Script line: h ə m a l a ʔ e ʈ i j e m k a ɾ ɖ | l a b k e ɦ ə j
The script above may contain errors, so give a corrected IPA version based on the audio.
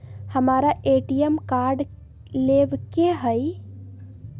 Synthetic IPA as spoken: h ə m a ɾ a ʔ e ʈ i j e m k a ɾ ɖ | l e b k e ɦ ə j